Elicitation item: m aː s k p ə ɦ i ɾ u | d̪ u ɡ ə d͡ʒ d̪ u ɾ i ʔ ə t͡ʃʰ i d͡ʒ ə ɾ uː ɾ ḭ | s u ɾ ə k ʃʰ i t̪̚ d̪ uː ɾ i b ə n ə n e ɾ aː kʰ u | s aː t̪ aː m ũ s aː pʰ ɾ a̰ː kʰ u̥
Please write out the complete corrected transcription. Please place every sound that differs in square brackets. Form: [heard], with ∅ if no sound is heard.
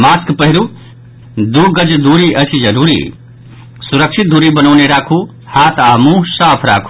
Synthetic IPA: m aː s k p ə ɦ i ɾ u | d̪ u ɡ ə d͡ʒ d̪ u ɾ i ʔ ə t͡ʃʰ i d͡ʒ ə ɾ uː ɾ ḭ | s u ɾ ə k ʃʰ i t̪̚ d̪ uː ɾ i b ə n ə n e ɾ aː kʰ u | [h] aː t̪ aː m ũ s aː pʰ ɾ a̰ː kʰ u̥